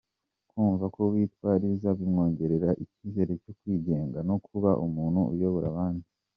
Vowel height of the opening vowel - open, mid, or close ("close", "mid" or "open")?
close